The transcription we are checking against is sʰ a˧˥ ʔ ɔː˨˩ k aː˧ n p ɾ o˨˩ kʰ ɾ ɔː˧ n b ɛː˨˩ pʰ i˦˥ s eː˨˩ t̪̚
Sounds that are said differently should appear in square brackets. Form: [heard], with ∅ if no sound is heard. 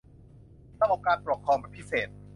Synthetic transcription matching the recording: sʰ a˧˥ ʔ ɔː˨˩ k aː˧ n p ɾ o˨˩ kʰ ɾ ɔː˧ [ŋ] b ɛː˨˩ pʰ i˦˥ s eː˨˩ t̪̚

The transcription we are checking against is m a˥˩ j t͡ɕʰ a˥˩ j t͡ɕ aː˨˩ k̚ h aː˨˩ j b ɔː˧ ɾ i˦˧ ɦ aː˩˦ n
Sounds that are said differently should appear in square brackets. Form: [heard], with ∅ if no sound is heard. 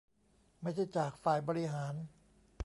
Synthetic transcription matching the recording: m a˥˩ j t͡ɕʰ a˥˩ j t͡ɕ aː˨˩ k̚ [f] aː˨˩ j b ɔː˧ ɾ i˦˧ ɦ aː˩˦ n

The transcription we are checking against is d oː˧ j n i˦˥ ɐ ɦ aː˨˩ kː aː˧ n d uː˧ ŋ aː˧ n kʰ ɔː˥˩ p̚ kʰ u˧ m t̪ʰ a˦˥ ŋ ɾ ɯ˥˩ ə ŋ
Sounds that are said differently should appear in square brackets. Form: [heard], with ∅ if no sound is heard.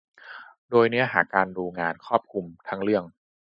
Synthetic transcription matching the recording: d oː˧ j n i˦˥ ɐ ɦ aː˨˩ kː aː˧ n d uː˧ ŋ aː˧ n kʰ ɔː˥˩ p̚ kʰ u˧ m t̪ʰ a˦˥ ŋ ɾ ɯ˥˩ ə ŋ

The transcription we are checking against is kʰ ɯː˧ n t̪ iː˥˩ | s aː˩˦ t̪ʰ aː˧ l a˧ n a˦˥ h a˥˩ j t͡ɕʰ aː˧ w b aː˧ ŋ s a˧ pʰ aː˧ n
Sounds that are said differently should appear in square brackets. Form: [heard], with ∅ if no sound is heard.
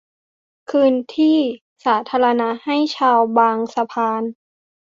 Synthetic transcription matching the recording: kʰ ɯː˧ n [t̪ʰ] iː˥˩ | s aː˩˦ t̪ʰ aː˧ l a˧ n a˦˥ h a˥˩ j t͡ɕʰ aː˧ w b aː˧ ŋ s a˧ pʰ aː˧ n

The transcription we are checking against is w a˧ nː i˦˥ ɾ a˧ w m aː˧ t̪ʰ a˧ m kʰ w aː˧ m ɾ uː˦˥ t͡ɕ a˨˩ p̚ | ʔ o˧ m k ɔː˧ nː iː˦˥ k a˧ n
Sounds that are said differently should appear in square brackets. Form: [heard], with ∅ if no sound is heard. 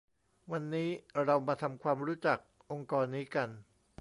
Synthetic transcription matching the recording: w a˧ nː [iː˦˥] ɾ a˧ w m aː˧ t̪ʰ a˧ m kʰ w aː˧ m ɾ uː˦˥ t͡ɕ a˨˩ [k̚] | ʔ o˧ [ŋ] k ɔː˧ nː iː˦˥ k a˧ n

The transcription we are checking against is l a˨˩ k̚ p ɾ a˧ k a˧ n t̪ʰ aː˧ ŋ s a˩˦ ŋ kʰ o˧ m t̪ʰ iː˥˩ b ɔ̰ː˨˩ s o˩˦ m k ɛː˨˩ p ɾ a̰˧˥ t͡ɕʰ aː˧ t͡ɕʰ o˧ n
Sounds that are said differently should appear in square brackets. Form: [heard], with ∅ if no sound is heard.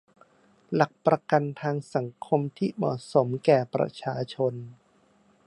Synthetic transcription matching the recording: l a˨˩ k̚ p ɾ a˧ k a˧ n t̪ʰ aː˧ ŋ s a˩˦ ŋ kʰ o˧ m t̪ʰ iː˥˩ [m] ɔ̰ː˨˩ s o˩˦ m k ɛː˨˩ p ɾ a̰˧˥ t͡ɕʰ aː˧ t͡ɕʰ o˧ n

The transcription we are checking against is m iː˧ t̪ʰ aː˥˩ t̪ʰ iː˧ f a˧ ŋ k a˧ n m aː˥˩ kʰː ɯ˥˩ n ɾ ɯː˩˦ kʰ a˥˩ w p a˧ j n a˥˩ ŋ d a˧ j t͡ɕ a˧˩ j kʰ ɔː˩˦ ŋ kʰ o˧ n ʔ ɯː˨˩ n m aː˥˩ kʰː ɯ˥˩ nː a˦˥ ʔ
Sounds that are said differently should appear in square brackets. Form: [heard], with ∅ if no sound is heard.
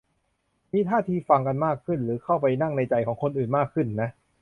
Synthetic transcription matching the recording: m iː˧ t̪ʰ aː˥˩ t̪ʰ iː˧ f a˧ ŋ k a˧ n m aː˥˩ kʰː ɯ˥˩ n ɾ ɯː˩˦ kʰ a˥˩ w p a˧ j n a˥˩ ŋ [n] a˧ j t͡ɕ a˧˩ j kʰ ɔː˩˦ ŋ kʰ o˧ n ʔ ɯː˨˩ n m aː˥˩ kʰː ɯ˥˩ nː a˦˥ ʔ

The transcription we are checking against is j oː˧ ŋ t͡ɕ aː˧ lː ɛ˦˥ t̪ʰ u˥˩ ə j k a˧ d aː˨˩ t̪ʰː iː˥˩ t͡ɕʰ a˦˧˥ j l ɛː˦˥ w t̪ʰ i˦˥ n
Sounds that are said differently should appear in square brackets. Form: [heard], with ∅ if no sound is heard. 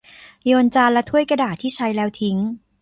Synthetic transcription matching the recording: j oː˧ [n] t͡ɕ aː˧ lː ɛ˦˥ t̪ʰ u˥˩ ə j k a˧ d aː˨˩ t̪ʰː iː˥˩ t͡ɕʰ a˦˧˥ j l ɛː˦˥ w t̪ʰ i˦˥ [ŋ]

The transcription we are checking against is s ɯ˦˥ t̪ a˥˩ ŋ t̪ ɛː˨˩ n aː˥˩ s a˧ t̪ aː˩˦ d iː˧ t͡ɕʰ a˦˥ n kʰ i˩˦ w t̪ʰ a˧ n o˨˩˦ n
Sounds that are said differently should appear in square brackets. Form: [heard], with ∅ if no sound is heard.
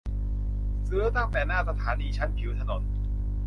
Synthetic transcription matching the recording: s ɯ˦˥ t̪ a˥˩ ŋ t̪ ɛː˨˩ n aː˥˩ s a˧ [t̪ʰ] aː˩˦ [n] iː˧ t͡ɕʰ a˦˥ n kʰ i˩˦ w t̪ʰ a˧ n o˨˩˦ n

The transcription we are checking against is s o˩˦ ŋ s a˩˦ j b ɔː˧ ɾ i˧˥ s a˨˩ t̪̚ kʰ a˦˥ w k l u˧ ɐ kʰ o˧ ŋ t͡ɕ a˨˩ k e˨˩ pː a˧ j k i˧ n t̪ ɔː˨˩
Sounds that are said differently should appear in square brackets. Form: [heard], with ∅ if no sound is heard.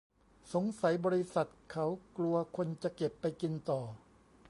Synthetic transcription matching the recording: s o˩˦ ŋ s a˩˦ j b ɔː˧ ɾ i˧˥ s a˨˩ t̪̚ kʰ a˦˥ w k l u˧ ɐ kʰ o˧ [n] t͡ɕ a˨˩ k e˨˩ pː a˧ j k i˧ n t̪ ɔː˨˩

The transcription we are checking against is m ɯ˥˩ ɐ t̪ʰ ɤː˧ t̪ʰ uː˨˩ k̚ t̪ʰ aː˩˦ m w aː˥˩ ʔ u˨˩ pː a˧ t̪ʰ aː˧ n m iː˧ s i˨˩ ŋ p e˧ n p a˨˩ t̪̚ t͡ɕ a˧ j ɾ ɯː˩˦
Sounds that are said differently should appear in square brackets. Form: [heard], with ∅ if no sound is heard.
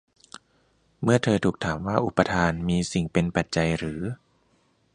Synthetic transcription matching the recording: m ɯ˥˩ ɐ t̪ʰ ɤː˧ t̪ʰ uː˨˩ k̚ t̪ʰ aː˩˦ m w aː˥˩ ʔ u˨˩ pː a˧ t̪ʰ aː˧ n m iː˧ s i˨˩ ŋ p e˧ n p a˨˩ t̪̚ t͡ɕ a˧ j ɾ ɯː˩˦

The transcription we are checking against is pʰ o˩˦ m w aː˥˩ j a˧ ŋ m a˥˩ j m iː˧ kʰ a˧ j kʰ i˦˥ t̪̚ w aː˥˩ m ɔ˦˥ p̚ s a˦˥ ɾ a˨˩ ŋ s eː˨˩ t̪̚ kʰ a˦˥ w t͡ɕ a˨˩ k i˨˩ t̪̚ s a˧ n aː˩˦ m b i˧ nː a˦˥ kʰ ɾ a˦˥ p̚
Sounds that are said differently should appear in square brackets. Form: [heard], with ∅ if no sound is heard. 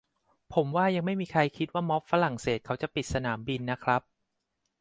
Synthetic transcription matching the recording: pʰ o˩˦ m w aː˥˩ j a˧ ŋ m a˥˩ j m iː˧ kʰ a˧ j kʰ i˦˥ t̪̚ w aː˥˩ m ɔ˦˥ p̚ [f] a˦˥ ɾ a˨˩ ŋ s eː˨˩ t̪̚ kʰ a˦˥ w t͡ɕ a˨˩ [p] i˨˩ t̪̚ s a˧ n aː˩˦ m b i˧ nː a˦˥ kʰ ɾ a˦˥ p̚

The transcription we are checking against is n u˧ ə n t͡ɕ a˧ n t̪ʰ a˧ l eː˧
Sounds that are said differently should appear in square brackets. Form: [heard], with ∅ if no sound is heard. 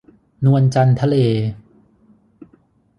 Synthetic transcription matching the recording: n u˧ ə n t͡ɕ a˧ n t̪ʰ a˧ l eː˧

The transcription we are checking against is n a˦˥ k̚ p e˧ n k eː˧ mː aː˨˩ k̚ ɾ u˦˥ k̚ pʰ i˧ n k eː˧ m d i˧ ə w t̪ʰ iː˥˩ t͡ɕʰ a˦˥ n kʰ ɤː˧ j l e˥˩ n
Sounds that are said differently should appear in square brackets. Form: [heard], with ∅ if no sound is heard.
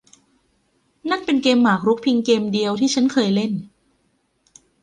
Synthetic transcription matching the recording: n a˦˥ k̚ p e˧ n k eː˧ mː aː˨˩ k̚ ɾ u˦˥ k̚ pʰ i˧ [ŋ] k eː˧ m d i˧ ə w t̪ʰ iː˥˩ t͡ɕʰ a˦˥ n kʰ ɤː˧ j l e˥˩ n

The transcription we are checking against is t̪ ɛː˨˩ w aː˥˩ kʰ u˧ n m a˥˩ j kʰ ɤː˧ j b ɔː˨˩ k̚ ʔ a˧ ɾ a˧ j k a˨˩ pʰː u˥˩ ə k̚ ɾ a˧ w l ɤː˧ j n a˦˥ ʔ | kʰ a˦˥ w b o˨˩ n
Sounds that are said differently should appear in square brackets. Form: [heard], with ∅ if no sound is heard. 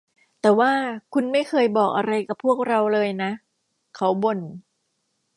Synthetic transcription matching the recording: t̪ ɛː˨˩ w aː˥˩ kʰ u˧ n m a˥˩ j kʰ ɤː˧ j b ɔː˨˩ k̚ ʔ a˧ ɾ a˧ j k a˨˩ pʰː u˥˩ ə k̚ ɾ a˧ w l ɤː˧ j n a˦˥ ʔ | kʰ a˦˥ w b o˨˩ n

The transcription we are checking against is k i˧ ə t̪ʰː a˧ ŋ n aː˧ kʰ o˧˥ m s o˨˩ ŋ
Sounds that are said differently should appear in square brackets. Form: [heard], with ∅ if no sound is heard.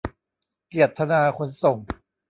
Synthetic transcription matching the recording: k [i˨˩] ə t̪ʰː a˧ [∅] n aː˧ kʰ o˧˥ [n] s o˨˩ ŋ

